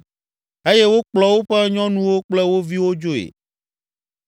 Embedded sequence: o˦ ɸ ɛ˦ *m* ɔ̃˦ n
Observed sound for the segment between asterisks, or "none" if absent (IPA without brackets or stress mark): ɲ